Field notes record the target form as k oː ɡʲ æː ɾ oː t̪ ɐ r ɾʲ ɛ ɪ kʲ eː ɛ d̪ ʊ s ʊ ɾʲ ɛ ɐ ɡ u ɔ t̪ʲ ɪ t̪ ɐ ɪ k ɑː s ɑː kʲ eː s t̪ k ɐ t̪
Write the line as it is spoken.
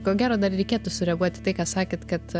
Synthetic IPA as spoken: k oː ɡʲ æː ɾ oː d̪ ɐ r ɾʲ ɛ ɪ kʲ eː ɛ t̪ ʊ s ʊ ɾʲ ɛ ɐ ɡ u ɔ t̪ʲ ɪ t̪ ɐ ɪ k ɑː s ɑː kʲ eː t̪ k ɐ t̪